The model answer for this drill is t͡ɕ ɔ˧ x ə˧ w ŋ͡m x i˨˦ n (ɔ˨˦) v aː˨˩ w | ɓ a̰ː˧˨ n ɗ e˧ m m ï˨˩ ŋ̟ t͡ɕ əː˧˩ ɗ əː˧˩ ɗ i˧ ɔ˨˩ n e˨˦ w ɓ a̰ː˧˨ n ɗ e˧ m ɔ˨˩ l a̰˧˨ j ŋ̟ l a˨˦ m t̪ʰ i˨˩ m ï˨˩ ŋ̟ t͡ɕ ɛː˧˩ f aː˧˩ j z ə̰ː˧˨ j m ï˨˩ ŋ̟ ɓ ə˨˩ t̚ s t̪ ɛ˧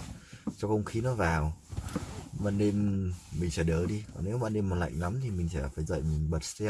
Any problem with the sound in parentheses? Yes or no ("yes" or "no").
no